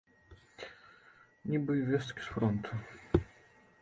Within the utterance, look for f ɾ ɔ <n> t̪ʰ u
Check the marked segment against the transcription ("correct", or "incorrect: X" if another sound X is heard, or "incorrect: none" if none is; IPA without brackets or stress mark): correct